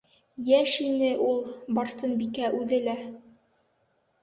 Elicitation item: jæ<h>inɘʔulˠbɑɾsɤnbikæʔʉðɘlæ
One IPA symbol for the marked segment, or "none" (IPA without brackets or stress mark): ʃ